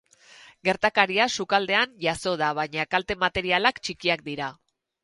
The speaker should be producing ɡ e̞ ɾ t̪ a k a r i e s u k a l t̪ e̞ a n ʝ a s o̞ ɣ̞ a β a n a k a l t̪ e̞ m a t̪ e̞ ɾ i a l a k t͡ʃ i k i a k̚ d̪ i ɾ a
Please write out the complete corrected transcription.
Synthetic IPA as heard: ɡ e̞ ɾ t̪ a k a ɾ i a s u k a l d̪ e̞ a n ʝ a s o̞ ð̞ a β a ɲ a k a l t̪ e̞ m a t̪ e̞ ɾ i a l a k t͡ʃ i k i a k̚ d̪ i ɾ a